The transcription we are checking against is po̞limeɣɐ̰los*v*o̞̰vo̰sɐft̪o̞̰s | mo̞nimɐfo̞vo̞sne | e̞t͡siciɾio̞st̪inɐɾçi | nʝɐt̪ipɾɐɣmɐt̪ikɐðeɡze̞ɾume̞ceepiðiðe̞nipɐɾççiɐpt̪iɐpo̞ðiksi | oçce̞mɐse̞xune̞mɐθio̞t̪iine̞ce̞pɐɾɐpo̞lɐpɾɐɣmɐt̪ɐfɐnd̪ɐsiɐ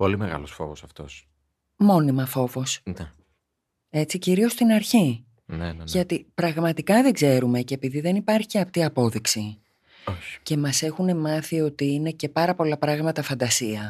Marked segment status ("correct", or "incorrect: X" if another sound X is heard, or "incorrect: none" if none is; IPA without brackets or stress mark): incorrect: f